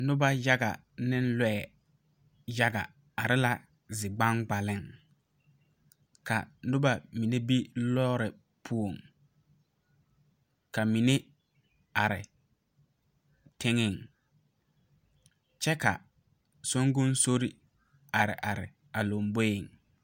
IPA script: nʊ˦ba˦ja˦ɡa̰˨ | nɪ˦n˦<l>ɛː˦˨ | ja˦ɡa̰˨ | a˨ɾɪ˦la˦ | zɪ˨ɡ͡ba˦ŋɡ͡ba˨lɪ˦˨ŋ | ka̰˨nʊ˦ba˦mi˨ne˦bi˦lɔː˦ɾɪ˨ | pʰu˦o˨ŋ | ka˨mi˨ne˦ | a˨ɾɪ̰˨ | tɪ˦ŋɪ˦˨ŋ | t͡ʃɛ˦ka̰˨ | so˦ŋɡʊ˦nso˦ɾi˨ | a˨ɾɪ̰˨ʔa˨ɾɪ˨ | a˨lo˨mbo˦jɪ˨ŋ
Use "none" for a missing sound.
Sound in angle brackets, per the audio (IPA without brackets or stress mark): l